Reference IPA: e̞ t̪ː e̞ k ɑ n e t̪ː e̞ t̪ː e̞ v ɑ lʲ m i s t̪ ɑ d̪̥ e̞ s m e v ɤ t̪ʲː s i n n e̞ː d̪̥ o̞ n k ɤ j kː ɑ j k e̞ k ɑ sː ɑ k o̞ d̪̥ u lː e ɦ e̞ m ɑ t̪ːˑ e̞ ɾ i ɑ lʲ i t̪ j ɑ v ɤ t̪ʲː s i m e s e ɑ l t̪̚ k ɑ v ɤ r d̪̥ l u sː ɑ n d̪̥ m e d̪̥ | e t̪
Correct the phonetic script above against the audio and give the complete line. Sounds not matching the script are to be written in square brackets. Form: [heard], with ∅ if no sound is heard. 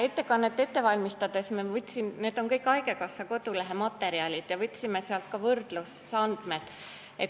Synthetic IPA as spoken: e̞ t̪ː e̞ k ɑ [nː] e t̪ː e̞ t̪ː e̞ v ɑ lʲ m i s t̪ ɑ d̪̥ e̞ s m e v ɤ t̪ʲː s i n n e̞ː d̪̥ o̞ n k ɤ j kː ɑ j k e̞ k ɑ sː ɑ k o̞ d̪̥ u [l] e ɦ e̞ m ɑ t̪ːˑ e̞ ɾ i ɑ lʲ i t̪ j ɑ v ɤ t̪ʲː s i m e s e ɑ l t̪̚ k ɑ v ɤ r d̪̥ l u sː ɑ n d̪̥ m e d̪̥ | e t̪